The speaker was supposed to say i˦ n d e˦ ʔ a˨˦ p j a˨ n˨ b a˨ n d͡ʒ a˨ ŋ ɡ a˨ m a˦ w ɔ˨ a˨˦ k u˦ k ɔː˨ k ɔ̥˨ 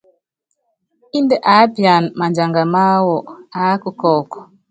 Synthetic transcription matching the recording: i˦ n d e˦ ʔ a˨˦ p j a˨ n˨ m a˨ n d͡ʒ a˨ ŋ ɡ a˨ m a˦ w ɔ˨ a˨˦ k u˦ k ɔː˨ k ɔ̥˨